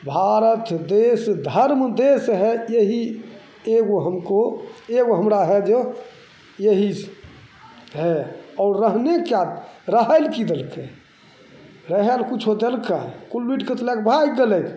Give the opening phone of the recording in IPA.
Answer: bʱ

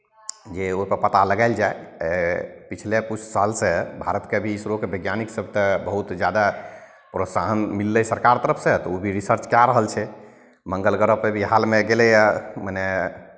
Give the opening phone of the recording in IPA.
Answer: d͡ʒ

